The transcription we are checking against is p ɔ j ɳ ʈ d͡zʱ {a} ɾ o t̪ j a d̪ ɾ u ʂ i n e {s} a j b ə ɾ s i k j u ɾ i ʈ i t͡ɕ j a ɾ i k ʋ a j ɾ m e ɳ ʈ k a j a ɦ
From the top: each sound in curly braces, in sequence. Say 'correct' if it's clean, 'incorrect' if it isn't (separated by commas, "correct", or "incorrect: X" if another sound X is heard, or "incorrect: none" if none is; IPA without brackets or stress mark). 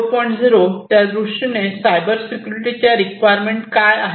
incorrect: i, correct